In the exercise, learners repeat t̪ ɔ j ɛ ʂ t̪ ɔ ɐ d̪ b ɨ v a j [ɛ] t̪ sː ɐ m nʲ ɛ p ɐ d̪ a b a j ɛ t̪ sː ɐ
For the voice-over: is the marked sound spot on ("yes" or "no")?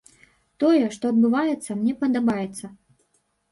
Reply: yes